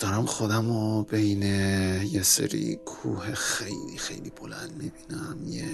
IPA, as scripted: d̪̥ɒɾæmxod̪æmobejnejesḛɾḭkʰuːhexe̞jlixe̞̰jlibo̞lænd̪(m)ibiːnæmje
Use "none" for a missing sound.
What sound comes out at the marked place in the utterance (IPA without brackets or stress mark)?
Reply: m